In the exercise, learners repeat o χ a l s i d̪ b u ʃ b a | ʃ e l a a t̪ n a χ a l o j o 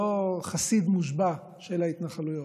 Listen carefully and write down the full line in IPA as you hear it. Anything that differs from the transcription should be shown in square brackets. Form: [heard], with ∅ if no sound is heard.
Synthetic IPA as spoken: o χ a [∅] s i d̪ [m] u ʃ b a | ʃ e l a [i] t̪ n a χ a l [u] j o